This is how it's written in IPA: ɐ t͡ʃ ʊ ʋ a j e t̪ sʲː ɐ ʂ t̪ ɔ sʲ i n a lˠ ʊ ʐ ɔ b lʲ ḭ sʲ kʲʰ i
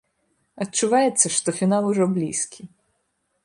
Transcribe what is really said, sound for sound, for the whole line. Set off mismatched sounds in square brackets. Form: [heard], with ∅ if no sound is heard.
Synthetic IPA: ɐ t͡ʃ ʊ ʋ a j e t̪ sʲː ɐ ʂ t̪ ɔ [fʲ] i n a lˠ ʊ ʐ ɔ b lʲ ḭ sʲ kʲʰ i